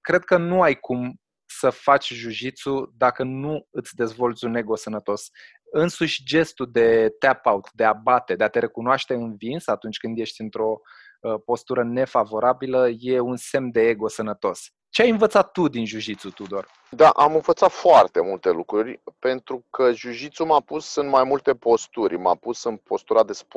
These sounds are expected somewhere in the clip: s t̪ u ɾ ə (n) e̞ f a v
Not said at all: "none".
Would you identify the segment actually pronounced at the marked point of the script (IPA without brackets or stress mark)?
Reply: n